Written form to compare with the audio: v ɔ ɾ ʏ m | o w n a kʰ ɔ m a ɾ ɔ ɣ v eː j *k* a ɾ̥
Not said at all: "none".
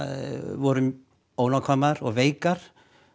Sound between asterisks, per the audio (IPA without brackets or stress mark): k